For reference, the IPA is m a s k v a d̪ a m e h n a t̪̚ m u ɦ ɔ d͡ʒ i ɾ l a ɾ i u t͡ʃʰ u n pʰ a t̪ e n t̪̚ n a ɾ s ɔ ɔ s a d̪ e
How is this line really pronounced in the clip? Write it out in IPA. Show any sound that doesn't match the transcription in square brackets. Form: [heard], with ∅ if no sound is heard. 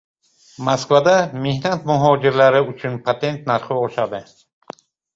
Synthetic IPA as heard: m a s k v a d̪ a m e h n a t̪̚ m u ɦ ɔ d͡ʒ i ɾ l a ɾ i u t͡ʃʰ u n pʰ a t̪ e n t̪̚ n a ɾ [χ] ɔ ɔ [ʃ] a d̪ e